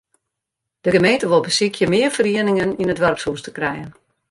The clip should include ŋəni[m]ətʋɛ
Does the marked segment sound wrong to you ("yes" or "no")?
yes